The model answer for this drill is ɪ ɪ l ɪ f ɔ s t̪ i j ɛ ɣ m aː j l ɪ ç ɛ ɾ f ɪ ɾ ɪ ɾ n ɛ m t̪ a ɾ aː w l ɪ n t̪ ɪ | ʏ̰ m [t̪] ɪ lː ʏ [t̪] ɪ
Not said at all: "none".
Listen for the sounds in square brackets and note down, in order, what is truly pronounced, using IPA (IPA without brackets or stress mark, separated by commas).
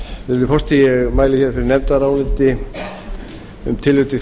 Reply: t̪ʰ, t̪